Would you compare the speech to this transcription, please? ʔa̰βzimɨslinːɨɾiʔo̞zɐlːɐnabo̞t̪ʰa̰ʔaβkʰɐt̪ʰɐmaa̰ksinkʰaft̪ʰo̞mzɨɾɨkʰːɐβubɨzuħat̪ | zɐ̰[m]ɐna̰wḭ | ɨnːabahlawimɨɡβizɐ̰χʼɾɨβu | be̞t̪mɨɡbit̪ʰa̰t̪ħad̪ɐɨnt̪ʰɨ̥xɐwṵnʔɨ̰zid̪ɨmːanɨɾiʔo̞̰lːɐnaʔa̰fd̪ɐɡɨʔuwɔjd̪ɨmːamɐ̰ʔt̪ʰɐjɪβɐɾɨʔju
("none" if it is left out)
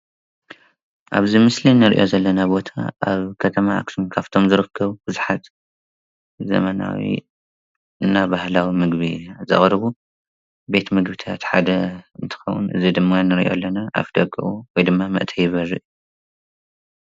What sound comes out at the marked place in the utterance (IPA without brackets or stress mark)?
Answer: m